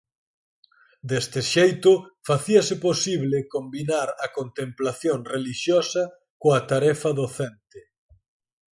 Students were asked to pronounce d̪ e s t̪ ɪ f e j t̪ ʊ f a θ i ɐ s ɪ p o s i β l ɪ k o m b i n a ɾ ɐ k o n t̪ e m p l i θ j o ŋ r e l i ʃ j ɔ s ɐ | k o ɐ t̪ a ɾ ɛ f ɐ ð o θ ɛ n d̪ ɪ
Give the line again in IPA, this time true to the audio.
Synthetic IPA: d̪ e s t̪ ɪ ʃ e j t̪ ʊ f a θ i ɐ s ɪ p o s i β l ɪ k o m b i n a ɾ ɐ k o n t̪ e m p l a θ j o ŋ r e l i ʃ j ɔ s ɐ | k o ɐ t̪ a ɾ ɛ f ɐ ð o θ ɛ n t̪ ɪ